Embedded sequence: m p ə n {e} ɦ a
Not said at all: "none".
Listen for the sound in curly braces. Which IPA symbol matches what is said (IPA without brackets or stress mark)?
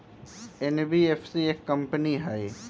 i